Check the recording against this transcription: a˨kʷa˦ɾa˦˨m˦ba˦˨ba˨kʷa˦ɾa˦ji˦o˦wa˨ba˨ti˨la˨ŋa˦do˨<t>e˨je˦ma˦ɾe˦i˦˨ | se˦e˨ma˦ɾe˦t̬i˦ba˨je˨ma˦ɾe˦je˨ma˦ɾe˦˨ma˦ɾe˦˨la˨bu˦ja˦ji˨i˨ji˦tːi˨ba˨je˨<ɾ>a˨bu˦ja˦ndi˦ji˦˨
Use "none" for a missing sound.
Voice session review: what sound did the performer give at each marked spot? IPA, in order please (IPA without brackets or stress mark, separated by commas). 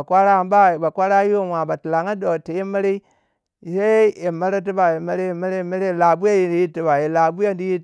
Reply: t, l